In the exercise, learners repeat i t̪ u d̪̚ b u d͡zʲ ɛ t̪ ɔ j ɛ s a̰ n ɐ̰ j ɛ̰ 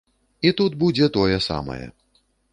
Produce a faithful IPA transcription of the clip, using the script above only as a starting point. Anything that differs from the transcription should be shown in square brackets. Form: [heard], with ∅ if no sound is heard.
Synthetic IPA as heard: i t̪ u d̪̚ b u d͡zʲ ɛ t̪ ɔ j ɛ s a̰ [m] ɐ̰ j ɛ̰

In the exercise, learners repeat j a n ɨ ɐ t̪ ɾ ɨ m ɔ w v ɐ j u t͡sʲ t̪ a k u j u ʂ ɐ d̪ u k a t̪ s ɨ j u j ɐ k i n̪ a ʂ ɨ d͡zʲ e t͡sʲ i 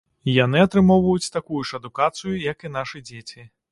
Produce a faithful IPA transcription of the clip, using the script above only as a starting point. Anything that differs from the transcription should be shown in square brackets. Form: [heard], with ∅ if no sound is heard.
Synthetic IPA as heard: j a n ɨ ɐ t̪ ɾ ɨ m ɔ w v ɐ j u t͡sʲ t̪ a k u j u ʂ ɐ d̪ u k a t̪ s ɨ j u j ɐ k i n̪ a ʂ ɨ d͡zʲ e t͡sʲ i

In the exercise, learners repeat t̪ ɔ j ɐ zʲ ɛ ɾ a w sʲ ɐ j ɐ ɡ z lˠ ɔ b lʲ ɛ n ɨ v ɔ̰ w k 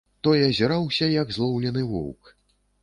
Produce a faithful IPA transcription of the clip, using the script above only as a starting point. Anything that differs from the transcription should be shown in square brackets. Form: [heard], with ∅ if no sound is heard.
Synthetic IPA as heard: t̪ ɔ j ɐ zʲ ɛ ɾ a w sʲ ɐ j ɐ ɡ z lˠ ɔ [w] lʲ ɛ n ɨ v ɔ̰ w k

